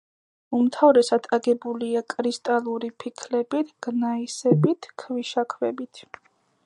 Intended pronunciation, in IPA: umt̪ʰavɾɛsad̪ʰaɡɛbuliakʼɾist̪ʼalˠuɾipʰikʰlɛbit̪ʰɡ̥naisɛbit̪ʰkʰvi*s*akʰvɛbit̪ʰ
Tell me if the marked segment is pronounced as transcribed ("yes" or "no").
no